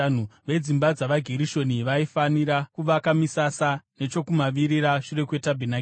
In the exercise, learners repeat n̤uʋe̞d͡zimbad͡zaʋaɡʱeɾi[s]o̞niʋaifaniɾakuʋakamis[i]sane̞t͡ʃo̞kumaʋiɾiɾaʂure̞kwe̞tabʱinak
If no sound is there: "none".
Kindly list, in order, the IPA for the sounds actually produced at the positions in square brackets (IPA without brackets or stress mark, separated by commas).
ʃ, a